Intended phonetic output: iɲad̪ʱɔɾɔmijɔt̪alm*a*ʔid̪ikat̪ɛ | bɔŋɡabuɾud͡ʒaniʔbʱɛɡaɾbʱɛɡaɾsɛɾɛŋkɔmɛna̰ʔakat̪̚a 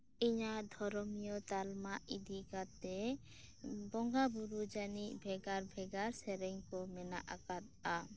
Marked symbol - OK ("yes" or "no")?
yes